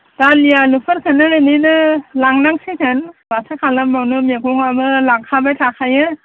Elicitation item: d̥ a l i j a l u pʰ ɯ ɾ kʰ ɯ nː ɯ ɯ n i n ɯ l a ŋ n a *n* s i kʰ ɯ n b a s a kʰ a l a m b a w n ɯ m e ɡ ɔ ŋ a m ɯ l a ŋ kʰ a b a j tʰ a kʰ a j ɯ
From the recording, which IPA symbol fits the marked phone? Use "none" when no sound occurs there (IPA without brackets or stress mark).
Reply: ŋ